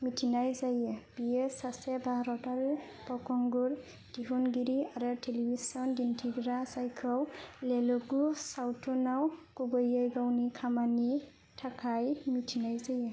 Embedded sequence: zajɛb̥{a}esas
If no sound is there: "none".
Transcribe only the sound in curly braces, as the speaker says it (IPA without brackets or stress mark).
i